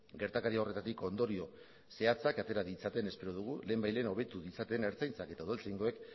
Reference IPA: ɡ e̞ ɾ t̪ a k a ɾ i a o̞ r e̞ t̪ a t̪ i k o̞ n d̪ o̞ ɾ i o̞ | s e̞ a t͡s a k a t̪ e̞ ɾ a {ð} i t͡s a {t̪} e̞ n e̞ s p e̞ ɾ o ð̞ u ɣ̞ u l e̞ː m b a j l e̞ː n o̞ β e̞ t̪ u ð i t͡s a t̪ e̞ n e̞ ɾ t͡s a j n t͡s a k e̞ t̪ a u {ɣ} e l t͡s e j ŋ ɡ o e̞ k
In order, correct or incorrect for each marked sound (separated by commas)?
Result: correct, correct, incorrect